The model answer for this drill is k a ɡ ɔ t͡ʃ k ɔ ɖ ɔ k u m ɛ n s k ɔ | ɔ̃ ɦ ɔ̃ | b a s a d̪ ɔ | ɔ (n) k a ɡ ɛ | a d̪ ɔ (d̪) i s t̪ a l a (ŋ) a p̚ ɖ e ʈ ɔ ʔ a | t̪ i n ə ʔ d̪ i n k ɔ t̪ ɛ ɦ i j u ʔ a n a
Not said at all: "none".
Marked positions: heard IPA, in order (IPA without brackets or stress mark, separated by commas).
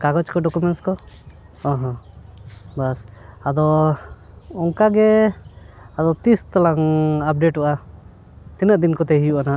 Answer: ŋ, t̪, ŋ